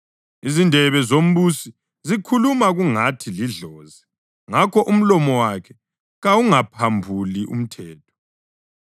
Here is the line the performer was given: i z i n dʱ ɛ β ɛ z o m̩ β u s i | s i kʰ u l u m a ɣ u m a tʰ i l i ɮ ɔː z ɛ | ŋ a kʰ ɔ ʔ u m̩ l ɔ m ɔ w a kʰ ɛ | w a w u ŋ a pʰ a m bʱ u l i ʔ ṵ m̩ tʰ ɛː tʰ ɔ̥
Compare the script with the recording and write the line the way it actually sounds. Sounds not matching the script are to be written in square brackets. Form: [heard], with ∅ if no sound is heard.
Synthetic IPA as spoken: i z i n dʱ ɛ β ɛ z o m̩ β u s i | [z] i kʰ u l u m a ɣ u [ŋ] a tʰ i l i ɮ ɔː z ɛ | ŋ a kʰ ɔ ʔ u m̩ l ɔ m ɔ w a kʰ ɛ | [ɣ] a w u ŋ a pʰ a m bʱ u l i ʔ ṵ m̩ tʰ ɛː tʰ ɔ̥

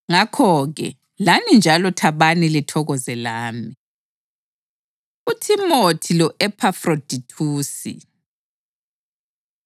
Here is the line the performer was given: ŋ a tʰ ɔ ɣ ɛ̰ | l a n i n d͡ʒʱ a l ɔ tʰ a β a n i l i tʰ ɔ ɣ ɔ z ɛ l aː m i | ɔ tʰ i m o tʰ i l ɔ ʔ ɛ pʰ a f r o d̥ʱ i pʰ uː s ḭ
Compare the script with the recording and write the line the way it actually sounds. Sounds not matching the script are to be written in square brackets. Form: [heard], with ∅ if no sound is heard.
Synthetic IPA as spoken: ŋ a [kʰ] ɔ ɣ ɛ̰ | l a n i n d͡ʒʱ a l ɔ tʰ a β a n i l i tʰ ɔ ɣ ɔ z ɛ l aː m i | [u] tʰ i m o tʰ i l ɔ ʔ ɛ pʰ a f r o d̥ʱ i [tʰ] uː s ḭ

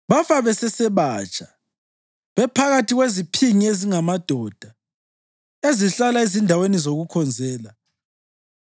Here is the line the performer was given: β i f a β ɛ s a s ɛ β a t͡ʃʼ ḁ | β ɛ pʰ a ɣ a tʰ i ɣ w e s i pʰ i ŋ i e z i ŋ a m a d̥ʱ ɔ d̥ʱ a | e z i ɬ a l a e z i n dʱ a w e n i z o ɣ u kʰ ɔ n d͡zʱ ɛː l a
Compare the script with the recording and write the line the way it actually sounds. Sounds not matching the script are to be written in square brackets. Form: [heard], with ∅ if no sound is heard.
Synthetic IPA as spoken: β [a] f a β ɛ s [ɛ] s ɛ β a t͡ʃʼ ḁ | β ɛ pʰ a ɣ a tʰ i ɣ w e [z] i pʰ i ŋ i e z i ŋ a m a d̥ʱ ɔ d̥ʱ a | e z i ɬ a l a e z i n dʱ a w e n i z o ɣ u kʰ ɔ n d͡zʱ ɛː l a

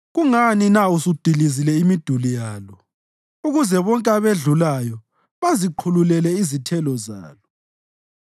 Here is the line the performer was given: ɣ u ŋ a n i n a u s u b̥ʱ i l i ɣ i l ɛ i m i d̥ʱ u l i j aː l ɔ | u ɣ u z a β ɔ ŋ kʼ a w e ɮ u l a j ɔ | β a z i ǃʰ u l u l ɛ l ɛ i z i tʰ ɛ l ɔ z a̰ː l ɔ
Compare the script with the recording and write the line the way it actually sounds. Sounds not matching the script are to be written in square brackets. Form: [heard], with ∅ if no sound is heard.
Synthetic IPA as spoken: ɣ u ŋ a n i n a u s u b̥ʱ i l i [z] i l ɛ i m i d̥ʱ u l i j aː l ɔ | u ɣ u z [ɛ] β ɔ ŋ kʼ a [β] e ɮ u l a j ɔ | β a z i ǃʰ u l u l ɛ l ɛ i z i tʰ ɛ l ɔ z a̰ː l ɔ

